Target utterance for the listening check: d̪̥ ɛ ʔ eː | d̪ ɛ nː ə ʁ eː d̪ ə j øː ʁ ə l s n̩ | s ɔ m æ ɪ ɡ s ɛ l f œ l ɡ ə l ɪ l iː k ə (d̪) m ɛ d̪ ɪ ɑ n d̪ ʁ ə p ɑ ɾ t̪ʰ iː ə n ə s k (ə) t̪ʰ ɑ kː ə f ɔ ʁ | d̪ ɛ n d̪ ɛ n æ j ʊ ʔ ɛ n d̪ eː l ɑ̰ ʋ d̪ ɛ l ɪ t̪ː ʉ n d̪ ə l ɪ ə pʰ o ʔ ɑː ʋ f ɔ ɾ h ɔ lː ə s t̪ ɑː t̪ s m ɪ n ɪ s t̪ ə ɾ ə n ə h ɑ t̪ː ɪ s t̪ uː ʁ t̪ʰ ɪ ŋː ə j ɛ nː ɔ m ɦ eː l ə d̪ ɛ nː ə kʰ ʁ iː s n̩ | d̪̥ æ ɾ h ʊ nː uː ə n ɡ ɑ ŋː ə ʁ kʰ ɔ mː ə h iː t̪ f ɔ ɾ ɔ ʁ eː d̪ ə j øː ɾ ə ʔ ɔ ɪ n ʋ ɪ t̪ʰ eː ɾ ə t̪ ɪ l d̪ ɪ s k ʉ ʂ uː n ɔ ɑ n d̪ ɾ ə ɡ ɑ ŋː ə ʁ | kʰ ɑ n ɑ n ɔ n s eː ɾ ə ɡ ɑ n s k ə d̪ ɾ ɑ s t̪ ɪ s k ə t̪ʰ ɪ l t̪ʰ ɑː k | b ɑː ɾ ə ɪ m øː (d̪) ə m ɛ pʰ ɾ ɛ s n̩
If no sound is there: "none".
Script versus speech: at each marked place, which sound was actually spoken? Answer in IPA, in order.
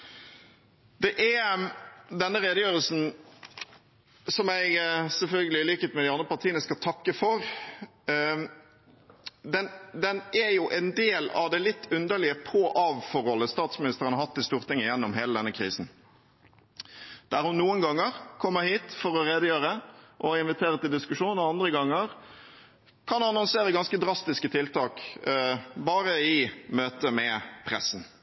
t̪, ɑ, t̪

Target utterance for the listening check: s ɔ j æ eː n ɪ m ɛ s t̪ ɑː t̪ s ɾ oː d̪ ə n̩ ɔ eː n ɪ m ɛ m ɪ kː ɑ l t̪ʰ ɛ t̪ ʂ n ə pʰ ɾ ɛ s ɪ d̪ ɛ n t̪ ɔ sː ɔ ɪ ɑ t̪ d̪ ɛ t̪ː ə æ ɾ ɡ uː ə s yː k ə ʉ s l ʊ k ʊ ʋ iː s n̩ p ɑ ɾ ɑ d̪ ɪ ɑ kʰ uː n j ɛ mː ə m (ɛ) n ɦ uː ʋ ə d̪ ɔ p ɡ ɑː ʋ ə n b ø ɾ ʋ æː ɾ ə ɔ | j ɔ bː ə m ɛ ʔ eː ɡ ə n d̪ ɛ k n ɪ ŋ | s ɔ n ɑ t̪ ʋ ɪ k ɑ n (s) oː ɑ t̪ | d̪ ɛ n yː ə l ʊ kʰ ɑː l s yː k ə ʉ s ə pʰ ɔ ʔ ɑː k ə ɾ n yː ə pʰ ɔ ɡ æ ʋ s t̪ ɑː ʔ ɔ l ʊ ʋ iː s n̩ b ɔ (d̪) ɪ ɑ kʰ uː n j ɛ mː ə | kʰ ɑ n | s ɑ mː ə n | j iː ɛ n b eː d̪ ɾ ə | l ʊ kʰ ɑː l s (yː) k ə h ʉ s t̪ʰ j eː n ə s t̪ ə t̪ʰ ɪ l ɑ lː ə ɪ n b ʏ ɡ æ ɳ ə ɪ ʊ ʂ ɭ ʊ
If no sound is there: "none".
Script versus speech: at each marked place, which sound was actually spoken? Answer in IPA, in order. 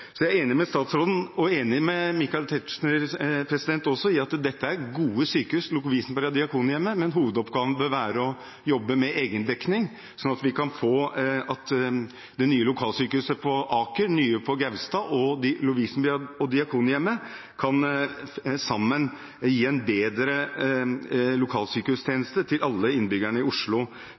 ɛ, f, d̪, yː

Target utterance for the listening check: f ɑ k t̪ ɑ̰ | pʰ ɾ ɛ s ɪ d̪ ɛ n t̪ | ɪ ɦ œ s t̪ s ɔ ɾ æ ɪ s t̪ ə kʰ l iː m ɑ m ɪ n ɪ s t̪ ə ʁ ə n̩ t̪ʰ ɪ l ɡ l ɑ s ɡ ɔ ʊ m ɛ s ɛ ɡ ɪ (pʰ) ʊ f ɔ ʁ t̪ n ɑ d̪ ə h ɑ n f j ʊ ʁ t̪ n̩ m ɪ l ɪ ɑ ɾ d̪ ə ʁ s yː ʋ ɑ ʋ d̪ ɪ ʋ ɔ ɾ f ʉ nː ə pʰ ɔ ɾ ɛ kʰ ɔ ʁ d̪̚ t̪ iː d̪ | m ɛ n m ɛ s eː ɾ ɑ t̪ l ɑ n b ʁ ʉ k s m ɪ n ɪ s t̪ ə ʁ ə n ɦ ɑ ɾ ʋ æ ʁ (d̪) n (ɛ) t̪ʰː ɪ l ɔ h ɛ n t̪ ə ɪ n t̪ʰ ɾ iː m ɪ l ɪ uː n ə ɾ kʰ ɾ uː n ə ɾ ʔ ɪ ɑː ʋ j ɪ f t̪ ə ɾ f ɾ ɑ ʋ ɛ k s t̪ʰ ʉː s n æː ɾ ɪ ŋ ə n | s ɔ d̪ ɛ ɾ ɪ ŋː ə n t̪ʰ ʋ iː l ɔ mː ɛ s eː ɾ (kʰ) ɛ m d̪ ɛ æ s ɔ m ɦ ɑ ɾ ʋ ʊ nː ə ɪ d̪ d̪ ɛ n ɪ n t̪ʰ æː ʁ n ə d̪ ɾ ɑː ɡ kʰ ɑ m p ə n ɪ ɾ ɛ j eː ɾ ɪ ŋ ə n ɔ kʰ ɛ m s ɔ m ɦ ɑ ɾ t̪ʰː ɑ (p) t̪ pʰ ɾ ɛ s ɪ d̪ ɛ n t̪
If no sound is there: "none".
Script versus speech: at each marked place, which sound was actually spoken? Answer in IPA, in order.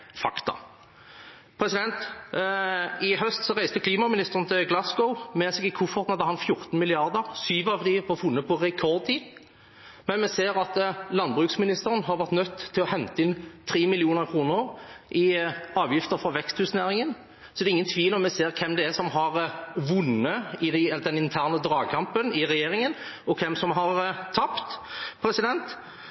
kʰ, t̪, œ, kʰ, p

